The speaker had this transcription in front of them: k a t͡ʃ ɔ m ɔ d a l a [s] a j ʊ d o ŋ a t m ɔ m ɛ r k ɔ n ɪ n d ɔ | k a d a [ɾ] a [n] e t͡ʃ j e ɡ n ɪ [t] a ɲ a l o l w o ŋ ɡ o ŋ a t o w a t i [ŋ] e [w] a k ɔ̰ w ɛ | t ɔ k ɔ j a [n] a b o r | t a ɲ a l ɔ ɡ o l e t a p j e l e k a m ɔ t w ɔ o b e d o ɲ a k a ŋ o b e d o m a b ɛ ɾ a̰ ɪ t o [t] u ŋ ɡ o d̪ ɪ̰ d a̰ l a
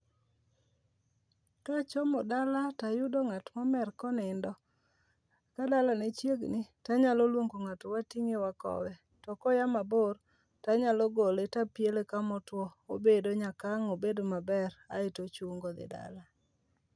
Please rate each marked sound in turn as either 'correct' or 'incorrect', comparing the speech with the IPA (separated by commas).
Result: incorrect, incorrect, correct, correct, correct, correct, incorrect, incorrect